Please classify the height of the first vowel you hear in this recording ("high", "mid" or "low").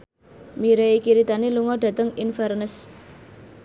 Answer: high